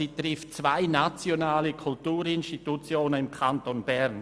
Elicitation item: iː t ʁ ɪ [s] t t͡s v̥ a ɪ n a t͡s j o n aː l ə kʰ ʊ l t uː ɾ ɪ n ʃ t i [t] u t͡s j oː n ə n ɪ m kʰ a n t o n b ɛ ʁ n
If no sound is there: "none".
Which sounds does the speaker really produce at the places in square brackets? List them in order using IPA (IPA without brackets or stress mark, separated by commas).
f, t